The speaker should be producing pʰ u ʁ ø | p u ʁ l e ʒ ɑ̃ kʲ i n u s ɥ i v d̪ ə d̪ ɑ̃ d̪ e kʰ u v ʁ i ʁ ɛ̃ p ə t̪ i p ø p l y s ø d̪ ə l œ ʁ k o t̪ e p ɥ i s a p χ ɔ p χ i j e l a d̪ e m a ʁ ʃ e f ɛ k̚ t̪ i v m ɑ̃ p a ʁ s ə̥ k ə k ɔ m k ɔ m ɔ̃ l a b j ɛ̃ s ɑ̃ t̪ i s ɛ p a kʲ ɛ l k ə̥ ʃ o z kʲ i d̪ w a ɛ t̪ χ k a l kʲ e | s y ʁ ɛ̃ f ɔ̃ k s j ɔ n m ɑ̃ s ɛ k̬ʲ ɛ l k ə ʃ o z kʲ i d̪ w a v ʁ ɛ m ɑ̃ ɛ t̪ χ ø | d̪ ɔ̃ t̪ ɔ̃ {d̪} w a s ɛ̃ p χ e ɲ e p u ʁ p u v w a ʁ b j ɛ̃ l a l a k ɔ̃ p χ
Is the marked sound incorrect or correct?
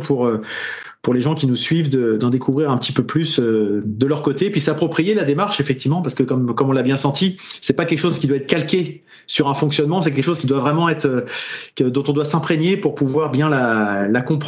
correct